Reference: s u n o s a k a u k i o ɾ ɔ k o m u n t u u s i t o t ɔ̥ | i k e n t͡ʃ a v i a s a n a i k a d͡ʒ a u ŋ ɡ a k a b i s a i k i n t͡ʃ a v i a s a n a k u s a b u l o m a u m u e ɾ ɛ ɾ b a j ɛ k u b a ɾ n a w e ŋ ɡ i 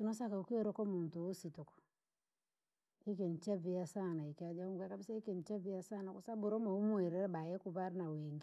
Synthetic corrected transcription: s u n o s a k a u k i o ɾ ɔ k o m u n t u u s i t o k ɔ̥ | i k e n t͡ʃ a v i a s a n a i k a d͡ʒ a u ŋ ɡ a k a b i s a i k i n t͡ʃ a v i a s a n a k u s a b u ɾ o m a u m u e ɾ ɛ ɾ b a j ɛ k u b a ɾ n a w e ŋ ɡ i